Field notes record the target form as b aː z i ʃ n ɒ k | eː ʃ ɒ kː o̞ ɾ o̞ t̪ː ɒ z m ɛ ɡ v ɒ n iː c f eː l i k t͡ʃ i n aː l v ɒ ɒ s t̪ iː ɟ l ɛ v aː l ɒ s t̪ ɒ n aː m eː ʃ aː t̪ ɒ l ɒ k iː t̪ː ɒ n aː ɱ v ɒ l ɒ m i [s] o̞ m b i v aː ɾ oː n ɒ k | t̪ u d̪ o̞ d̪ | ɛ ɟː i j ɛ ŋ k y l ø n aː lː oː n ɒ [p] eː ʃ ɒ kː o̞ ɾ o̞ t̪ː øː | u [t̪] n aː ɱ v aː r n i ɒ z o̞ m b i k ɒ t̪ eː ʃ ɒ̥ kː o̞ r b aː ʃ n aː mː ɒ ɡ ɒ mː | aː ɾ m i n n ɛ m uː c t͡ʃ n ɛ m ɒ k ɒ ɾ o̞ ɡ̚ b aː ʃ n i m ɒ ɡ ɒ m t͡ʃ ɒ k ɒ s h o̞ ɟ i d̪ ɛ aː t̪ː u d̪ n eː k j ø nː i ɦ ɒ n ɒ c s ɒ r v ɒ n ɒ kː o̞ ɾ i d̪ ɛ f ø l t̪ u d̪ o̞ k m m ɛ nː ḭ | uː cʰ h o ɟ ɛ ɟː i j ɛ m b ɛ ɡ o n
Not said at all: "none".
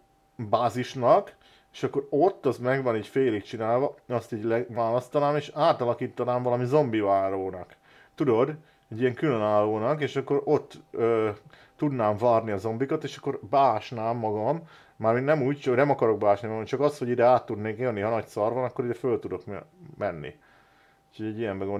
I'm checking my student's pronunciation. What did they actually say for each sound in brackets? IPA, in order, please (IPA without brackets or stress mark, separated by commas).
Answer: z, k, d̪